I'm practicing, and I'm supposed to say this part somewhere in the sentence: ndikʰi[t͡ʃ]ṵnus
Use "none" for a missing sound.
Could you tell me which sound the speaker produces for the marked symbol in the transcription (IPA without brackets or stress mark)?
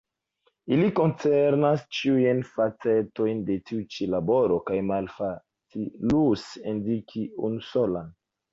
none